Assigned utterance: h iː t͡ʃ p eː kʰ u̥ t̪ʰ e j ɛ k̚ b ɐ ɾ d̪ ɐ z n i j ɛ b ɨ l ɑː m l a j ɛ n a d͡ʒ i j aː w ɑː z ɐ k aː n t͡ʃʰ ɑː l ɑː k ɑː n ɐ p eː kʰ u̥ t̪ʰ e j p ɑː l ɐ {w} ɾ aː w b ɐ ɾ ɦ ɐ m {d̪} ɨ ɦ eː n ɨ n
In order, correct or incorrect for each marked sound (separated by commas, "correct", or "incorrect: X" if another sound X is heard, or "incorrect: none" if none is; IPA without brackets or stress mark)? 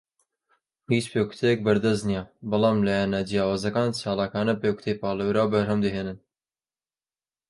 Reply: correct, correct